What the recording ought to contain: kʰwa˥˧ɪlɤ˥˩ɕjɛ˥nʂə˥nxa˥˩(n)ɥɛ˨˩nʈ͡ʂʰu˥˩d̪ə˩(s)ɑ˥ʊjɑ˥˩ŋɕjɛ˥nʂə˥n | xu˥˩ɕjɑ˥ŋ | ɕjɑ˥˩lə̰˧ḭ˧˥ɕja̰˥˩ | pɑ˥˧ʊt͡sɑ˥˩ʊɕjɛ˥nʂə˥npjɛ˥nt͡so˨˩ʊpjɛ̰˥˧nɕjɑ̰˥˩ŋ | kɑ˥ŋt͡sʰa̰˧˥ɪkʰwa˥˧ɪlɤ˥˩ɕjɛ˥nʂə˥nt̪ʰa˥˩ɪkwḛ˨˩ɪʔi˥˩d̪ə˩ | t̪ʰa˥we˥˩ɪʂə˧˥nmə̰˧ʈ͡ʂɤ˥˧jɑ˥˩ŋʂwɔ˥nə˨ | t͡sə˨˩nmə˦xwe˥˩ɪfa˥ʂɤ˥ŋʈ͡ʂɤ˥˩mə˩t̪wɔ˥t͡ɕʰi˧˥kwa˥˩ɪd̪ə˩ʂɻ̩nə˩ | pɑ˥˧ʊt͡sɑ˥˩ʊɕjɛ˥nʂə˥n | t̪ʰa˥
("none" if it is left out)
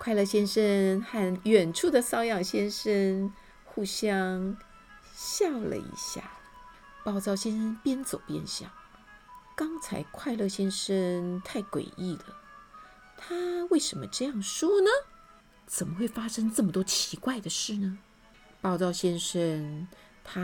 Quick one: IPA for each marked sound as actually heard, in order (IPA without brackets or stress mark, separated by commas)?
n, s